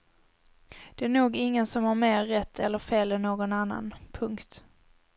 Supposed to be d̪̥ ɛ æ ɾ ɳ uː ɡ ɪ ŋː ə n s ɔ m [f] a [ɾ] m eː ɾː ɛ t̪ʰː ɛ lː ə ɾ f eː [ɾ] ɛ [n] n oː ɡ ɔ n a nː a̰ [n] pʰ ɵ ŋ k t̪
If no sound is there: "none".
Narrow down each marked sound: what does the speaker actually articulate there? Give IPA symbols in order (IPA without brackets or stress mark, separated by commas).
h, ɾ, l, n, n